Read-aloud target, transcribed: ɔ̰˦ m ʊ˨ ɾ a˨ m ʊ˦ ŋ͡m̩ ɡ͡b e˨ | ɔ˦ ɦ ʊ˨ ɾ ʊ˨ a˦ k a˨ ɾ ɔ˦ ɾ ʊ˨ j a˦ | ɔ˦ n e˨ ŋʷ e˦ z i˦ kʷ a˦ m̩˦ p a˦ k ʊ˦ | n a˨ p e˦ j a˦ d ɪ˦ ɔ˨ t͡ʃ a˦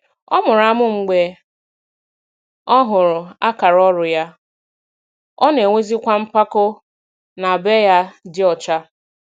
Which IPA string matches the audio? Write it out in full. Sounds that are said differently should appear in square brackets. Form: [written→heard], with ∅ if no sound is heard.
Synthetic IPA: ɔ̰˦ m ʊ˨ ɾ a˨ m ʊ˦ ŋ͡m̩ ɡ͡b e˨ | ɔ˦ ɦ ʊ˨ ɾ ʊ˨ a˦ k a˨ ɾ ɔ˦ ɾ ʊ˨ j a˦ | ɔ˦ n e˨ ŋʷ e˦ z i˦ kʷ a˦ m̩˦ p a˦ k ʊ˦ | n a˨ [p→b] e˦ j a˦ d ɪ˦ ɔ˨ t͡ʃ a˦